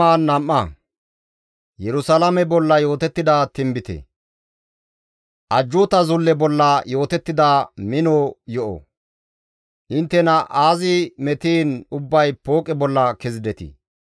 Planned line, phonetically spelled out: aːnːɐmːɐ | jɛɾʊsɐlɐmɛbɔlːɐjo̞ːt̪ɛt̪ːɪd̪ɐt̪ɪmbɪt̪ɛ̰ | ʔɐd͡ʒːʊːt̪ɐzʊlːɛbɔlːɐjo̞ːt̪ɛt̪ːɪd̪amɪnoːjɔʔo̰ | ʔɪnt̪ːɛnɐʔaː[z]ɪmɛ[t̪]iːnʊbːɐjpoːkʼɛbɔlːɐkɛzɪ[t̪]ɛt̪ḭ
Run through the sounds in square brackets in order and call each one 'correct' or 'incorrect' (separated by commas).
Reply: correct, correct, incorrect